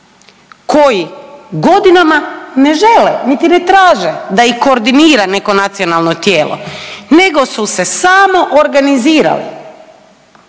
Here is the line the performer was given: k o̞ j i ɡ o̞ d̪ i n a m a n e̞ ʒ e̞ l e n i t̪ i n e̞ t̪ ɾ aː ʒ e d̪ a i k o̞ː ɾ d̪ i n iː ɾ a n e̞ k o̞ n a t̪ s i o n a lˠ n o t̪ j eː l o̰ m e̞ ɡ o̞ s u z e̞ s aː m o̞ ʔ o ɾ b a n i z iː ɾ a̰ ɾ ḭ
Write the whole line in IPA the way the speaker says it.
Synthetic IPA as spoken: k o̞ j i ɡ o̞ d̪ i n a m a n e̞ ʒ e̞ l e n i t̪ i n e̞ t̪ ɾ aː ʒ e d̪ a i k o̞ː ɾ d̪ i n iː ɾ a n e̞ k o̞ n a t̪ s i o n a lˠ n o t̪ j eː l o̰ n e̞ ɡ o̞ s u s e̞ s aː m o̞ ʔ o ɾ ɡ a n i z iː ɾ a̰ l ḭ